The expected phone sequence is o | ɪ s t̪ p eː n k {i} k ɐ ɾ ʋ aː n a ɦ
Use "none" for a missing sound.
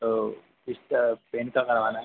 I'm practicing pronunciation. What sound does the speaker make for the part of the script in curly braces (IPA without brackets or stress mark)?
a